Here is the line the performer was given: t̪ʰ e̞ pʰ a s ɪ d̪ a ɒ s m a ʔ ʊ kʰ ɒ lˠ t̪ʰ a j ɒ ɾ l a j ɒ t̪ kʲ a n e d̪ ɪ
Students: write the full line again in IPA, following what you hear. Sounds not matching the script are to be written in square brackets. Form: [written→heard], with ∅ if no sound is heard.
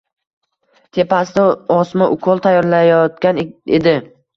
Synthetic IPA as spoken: t̪ʰ e̞ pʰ a s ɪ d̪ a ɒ s m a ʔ ʊ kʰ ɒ lˠ t̪ʰ a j ɒ ɾ l a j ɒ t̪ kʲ a n e d̪ ɪ